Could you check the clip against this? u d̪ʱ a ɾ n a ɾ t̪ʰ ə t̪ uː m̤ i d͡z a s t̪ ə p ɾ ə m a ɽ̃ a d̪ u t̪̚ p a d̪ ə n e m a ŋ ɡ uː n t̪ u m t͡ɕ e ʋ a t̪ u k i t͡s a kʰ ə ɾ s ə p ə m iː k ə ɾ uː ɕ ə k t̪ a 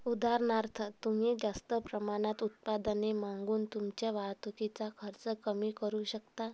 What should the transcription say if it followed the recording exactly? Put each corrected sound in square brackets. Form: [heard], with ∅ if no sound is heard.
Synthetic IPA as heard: u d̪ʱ a ɾ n a ɾ t̪ʰ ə t̪ [u] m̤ i d͡z a s t̪ ə p ɾ ə m a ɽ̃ a [t̪] u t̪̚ p a d̪ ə n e m a ŋ ɡ uː n t̪ u m t͡ɕ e ʋ a t̪ u k i t͡s a kʰ ə ɾ [t͡s] ə [k] ə m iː k ə ɾ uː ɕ ə k t̪ a